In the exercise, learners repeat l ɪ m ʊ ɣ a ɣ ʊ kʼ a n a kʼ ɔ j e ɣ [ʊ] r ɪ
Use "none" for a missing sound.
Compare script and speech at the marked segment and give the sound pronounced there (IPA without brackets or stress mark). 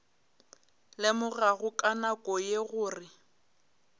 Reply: ʊː